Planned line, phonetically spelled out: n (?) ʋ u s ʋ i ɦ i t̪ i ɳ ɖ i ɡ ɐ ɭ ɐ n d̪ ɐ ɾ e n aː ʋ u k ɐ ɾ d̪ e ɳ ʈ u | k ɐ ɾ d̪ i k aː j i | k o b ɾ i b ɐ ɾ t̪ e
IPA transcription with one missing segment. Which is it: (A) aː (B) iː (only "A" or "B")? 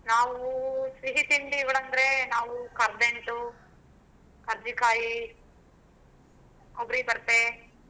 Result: A